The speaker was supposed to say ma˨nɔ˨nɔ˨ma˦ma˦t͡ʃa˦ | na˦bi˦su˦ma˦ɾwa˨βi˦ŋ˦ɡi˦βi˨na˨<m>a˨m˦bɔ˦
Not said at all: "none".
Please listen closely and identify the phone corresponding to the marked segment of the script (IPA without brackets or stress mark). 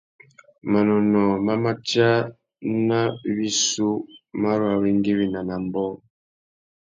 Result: n